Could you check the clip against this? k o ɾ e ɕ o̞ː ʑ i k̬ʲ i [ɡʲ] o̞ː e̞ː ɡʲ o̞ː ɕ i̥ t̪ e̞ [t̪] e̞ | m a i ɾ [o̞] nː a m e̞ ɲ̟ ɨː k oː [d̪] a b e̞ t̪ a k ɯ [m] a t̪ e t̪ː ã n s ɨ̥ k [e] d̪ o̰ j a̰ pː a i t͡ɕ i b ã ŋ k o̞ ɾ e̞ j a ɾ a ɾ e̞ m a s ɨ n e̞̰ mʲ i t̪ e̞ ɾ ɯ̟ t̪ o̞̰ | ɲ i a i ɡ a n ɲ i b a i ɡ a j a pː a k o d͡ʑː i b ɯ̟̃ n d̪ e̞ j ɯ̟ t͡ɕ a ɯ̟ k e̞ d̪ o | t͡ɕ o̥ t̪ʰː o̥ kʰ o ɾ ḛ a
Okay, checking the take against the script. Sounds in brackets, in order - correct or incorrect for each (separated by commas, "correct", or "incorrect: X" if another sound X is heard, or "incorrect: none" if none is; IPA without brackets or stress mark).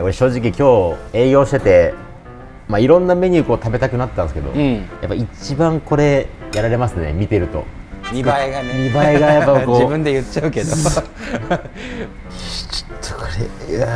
incorrect: kʲ, correct, incorrect: õ̞, incorrect: t̪, incorrect: n, correct